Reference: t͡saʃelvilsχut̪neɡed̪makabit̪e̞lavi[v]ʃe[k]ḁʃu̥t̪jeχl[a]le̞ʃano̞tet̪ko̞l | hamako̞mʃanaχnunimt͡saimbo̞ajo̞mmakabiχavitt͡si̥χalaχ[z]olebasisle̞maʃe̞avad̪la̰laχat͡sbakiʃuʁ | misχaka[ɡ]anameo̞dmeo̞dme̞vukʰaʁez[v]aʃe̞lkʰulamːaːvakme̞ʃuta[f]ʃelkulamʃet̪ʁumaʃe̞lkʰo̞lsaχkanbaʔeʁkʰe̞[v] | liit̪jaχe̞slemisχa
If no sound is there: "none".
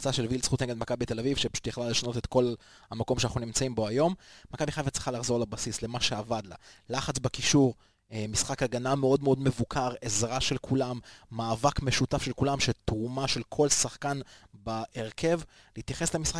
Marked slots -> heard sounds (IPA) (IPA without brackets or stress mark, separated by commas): v, p, a, z, ɡ, ʁ, f, v